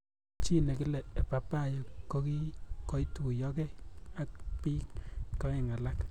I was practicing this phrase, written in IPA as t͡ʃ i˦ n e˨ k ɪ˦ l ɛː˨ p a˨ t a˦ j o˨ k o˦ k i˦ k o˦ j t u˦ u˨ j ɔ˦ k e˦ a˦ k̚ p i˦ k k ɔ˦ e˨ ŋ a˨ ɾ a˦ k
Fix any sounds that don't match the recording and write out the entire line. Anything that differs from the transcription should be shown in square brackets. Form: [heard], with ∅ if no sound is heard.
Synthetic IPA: t͡ʃ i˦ n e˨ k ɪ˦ l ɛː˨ p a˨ [p] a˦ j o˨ k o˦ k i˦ k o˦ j t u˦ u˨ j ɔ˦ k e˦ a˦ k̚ p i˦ k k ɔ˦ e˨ ŋ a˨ [l] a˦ k